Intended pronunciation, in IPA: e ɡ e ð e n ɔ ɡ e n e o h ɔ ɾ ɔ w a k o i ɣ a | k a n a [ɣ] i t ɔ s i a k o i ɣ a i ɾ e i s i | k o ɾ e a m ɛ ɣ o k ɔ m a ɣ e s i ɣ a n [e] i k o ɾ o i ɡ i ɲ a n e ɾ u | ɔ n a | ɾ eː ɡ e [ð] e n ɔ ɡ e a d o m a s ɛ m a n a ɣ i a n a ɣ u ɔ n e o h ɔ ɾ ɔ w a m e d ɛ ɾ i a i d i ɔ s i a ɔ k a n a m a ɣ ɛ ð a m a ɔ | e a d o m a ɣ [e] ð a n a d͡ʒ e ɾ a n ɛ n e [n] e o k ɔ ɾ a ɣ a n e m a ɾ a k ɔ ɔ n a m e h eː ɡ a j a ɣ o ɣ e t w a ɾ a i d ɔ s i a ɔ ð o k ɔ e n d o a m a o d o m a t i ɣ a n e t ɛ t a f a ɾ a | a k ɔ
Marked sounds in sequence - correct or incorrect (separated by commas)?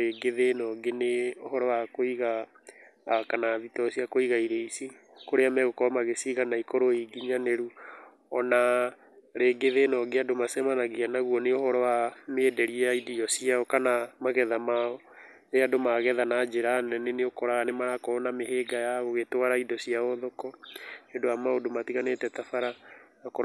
incorrect, incorrect, correct, incorrect, correct